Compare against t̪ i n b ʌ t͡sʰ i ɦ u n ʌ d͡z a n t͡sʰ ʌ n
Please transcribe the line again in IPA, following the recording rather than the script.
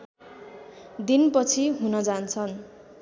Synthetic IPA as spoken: d̪ i n p ʌ t͡sʰ i ɦ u n ʌ d͡z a n t͡sʰ ʌ n